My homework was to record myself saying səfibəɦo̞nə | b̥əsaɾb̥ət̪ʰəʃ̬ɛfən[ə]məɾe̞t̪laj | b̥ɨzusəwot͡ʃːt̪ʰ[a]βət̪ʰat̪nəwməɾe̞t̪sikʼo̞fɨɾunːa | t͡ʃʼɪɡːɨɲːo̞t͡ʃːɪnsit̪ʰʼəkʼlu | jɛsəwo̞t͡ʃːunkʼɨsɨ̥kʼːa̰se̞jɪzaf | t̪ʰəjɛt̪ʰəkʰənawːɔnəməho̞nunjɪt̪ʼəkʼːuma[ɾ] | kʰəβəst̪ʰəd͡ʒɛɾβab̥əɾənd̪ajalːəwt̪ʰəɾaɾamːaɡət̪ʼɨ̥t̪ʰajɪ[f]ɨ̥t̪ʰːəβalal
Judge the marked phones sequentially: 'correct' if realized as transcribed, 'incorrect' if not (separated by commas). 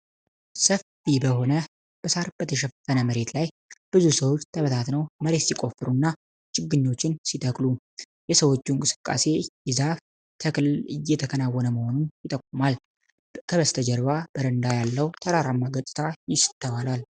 correct, incorrect, incorrect, incorrect